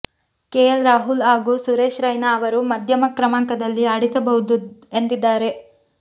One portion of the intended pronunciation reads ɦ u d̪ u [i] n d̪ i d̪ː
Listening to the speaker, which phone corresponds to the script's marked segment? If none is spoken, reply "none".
e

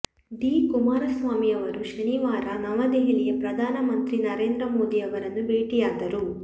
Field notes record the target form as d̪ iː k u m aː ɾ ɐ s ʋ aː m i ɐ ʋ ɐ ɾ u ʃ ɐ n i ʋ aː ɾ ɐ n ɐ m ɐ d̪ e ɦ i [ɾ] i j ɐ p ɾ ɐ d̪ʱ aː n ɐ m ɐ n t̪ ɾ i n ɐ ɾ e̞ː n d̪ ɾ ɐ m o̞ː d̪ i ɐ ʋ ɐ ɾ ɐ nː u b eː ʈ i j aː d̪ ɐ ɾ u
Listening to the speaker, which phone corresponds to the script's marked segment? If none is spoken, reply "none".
l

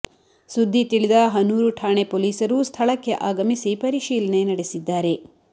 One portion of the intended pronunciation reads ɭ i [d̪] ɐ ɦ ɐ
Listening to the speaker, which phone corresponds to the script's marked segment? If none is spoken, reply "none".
d̪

